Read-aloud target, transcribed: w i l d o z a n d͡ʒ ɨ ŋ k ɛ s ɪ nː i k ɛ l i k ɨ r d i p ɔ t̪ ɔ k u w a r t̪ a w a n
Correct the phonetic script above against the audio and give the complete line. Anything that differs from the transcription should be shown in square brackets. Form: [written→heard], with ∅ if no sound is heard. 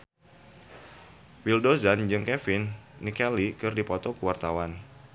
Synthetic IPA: w i l d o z a n d͡ʒ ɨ ŋ k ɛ [s→f] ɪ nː i k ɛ l i k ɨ r d i p ɔ t̪ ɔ k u w a r t̪ a w a n